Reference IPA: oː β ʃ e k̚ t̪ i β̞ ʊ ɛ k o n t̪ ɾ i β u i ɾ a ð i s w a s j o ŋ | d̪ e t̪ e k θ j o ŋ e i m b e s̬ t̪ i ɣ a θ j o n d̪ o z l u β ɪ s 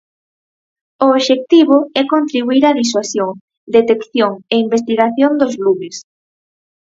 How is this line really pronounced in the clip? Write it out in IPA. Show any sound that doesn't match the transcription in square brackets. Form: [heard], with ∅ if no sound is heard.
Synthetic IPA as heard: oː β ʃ e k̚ t̪ i β̞ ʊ ɛ k o n t̪ ɾ i β u i ɾ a ð i s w a s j o ŋ | d̪ e t̪ e k θ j o ŋ e i m b e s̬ t̪ i ɣ a θ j o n d̪ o z l u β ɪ s